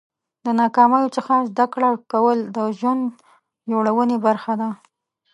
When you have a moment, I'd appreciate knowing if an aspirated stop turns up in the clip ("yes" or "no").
no